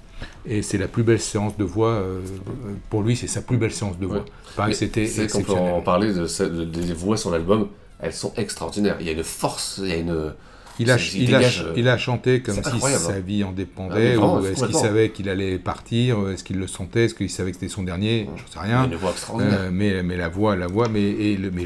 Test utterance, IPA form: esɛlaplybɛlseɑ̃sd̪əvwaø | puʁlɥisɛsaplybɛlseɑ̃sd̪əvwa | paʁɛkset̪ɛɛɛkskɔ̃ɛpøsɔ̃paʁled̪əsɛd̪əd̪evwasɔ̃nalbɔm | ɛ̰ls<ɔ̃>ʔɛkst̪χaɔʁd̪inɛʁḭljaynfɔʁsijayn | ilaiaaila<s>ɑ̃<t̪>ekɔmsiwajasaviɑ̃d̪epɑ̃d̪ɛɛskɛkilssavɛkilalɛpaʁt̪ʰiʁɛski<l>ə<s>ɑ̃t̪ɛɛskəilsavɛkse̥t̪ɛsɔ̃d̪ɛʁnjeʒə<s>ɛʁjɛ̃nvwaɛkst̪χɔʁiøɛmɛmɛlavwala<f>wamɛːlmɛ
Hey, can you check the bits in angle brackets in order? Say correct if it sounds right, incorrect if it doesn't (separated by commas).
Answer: correct, incorrect, correct, incorrect, correct, correct, incorrect